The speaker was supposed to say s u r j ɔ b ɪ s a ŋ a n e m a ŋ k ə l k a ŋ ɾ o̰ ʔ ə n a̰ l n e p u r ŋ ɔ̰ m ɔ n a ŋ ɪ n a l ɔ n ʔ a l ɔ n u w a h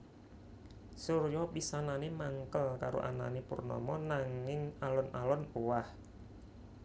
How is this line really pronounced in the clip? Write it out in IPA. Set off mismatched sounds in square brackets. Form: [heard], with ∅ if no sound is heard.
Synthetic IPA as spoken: s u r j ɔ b [i] s a [n] a n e m a ŋ k ə l k a [∅] ɾ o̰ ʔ [a] n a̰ [∅] n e p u r [n] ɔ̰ m ɔ n a ŋ ɪ [ŋ] a l ɔ n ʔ a l ɔ n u w a h